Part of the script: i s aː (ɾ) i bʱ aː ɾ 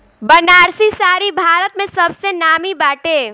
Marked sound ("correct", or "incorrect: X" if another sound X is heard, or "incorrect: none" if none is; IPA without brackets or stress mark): correct